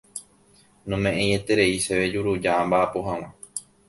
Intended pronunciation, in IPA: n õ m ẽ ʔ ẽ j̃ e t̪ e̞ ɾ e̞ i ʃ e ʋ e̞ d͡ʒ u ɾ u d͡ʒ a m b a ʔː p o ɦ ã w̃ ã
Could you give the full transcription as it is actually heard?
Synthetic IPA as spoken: n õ m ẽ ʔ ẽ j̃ e t̪ e̞ ɾ e̞ i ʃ e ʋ e̞ d͡ʒ u ɾ u d͡ʒ a m b a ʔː p o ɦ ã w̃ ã

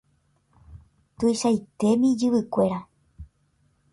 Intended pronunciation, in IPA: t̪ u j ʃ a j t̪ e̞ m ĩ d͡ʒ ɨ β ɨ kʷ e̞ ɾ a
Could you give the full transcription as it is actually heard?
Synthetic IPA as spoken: t̪ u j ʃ a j t̪ e̞ m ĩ d͡ʒ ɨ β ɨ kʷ e̞ ɾ a

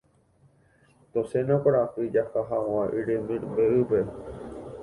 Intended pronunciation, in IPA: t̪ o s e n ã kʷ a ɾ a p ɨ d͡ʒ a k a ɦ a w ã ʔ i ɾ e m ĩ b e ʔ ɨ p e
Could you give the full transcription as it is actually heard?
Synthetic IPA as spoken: t̪ o s e n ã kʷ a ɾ a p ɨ d͡ʒ a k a ɦ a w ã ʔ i ɾ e m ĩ b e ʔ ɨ p e

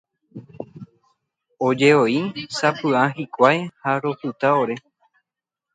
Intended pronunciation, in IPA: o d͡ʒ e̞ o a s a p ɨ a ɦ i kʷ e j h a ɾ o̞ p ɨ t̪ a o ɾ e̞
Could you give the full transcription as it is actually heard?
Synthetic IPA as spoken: o d͡ʒ e̞ o i s a p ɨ a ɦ i kʷ a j h a ɾ o̞ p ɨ t̪ a o ɾ e̞

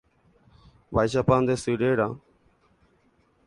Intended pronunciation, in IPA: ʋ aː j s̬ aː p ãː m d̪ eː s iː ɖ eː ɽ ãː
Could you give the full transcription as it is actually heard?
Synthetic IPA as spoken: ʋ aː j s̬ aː p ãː n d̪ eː s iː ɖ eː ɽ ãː

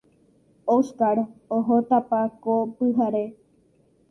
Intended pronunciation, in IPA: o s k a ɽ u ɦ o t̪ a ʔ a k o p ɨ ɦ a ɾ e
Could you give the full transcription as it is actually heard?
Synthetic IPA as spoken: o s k a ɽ o ɦ o t̪ a p a k o p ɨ ɦ a ɾ e

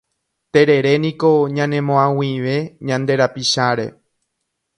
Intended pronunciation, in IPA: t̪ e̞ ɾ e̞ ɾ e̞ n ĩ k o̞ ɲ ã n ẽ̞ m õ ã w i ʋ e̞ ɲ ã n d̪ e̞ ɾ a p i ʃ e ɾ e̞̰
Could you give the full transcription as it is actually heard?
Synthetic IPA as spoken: t̪ e̞ ɾ e̞ ɾ e̞ n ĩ k o̞ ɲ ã n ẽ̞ m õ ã w i ʋ e̞ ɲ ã n d̪ e̞ ɾ a p i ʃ a ɾ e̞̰

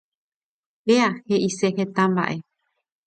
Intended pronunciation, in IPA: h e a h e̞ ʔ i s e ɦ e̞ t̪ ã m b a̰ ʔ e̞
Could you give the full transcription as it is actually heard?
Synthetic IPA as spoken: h e a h e̞ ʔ i s e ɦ e̞ t̪ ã m b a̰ ʔ e̞

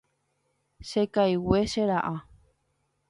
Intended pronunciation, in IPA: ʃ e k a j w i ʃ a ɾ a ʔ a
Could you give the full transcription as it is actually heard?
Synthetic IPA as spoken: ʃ e k a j w e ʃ e ɾ a ʔ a

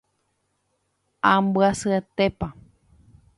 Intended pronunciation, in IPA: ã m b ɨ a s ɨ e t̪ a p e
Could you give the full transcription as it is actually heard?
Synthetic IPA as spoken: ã m b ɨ a s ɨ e t̪ e p a

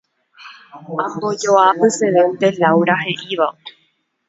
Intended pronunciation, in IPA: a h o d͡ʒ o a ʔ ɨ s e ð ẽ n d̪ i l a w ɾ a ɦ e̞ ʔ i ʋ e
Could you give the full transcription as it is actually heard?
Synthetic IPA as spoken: a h o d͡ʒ o a p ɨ s e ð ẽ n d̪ e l a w ɾ a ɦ e̞ ʔ i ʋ a

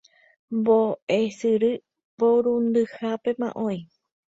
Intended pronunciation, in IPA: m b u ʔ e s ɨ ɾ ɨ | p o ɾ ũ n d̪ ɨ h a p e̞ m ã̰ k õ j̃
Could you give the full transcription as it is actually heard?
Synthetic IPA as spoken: m b o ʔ e s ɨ ɾ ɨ | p o ɾ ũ n d̪ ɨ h a p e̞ m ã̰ ʔ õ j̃

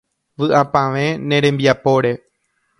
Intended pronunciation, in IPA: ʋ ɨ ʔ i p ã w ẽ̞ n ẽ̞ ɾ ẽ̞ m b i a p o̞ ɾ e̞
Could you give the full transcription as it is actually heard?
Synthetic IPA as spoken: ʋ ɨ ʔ a p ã ʋ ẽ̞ n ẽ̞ ɾ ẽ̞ m b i a p o̞ ɾ e̞

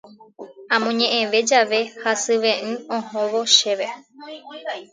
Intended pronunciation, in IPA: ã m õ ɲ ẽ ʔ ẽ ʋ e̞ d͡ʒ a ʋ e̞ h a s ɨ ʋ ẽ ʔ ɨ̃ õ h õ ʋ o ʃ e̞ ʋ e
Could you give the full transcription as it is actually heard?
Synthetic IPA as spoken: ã m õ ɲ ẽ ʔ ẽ ʋ e̞ d͡ʒ a ʋ e̞ h a s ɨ ʋ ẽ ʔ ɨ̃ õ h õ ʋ o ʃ e̞ ʋ e

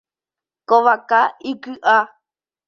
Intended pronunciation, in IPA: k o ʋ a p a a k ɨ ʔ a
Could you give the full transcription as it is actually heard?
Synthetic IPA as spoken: k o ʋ a k a i k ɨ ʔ a

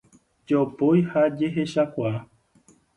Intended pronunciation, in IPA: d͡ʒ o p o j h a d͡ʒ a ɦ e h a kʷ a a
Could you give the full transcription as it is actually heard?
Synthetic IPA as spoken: d͡ʒ o p o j h a d͡ʒ e ɦ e ʃ a kʷ a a

